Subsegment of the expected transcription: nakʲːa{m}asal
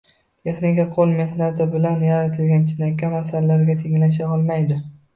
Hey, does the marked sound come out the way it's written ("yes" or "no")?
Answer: yes